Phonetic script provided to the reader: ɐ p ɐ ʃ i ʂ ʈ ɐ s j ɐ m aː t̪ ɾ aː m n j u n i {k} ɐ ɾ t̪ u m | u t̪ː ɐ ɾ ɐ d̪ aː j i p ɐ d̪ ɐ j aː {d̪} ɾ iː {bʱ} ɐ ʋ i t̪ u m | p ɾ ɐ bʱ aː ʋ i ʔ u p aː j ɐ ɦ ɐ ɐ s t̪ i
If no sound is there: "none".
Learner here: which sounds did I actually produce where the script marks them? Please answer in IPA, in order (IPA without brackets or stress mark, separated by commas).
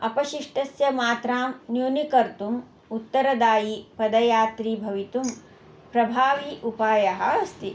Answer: k, t̪, bʱ